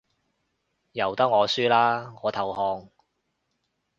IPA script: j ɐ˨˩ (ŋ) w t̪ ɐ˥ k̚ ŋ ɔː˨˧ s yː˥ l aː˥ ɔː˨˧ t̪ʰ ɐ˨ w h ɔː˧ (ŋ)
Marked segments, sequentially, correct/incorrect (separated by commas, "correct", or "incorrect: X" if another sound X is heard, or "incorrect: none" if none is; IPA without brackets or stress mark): incorrect: none, correct